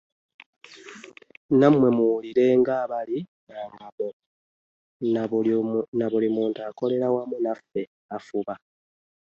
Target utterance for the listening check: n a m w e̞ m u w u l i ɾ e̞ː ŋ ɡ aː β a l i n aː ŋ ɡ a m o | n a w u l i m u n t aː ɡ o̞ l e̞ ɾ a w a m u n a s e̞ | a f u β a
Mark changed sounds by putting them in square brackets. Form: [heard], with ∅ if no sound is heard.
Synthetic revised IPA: n a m w e̞ m u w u l i ɾ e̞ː ŋ ɡ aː β a l i n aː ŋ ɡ a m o | n a [β] u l i m [uː] n t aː [k] o̞ l e̞ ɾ a w a m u n a [f] e̞ | a f u β a